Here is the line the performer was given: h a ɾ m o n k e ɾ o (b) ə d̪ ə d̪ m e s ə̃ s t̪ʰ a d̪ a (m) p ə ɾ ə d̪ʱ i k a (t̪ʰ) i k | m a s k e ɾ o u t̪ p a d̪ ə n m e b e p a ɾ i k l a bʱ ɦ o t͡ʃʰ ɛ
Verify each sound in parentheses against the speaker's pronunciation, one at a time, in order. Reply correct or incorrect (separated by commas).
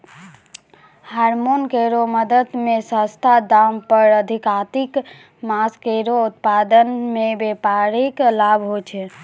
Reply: incorrect, correct, incorrect